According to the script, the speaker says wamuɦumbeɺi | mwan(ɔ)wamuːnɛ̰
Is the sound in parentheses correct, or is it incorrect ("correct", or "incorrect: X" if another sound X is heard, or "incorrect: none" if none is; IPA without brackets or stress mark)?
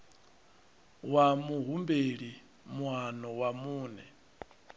correct